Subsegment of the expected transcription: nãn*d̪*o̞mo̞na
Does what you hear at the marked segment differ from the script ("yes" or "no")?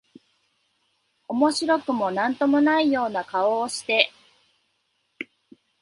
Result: yes